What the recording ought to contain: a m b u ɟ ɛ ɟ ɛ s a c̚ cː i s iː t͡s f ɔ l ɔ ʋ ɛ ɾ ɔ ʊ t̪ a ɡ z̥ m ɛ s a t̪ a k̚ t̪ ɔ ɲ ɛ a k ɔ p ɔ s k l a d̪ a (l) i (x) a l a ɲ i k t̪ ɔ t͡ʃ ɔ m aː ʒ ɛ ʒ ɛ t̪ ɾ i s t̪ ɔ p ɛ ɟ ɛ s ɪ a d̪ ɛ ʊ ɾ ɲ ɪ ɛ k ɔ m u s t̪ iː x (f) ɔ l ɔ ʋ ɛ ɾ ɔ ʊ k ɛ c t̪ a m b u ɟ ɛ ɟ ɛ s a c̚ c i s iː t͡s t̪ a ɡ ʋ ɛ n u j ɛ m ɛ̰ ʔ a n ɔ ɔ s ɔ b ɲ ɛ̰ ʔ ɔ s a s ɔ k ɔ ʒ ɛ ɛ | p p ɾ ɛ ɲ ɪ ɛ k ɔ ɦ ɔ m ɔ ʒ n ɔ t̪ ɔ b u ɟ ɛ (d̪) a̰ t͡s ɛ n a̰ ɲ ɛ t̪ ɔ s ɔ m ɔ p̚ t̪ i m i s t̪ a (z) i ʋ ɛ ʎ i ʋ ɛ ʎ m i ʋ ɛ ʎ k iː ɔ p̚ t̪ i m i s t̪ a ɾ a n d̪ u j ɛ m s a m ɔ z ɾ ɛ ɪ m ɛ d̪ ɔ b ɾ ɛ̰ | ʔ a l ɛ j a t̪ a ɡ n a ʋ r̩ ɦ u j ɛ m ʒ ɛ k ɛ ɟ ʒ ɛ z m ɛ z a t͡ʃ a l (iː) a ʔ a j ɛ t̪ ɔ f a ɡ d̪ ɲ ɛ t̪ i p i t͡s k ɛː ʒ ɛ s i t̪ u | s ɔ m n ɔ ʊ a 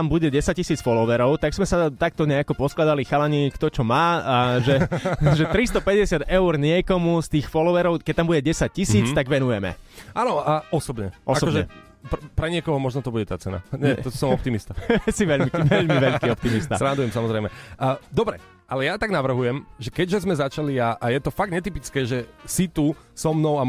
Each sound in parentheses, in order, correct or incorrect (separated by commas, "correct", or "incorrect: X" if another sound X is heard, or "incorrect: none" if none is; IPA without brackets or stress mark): correct, correct, correct, incorrect: t̪, incorrect: s, incorrect: i